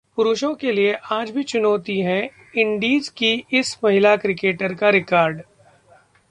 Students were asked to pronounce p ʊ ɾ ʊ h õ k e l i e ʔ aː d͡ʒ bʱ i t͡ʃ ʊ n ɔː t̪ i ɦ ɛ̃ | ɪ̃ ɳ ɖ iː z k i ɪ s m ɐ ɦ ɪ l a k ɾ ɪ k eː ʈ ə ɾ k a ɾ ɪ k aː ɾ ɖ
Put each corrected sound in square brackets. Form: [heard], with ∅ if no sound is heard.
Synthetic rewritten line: p ʊ ɾ ʊ [ʃ] õ k e l i e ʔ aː d͡ʒ bʱ i t͡ʃ ʊ n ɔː t̪ i ɦ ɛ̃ | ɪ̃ ɳ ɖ iː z k i ɪ s m ɐ ɦ ɪ l a k ɾ ɪ k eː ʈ ə ɾ k a ɾ ɪ k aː ɾ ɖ